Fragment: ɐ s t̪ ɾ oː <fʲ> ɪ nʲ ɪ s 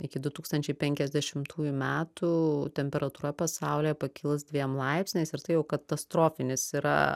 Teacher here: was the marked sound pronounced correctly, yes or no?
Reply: yes